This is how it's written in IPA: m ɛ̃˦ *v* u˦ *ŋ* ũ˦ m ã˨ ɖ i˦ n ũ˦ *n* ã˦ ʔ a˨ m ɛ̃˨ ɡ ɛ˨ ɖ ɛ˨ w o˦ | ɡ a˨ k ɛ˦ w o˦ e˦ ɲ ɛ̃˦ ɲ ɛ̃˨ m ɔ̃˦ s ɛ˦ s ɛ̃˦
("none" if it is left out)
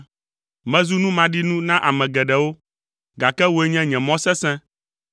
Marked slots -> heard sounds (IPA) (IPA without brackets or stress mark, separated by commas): z, n, n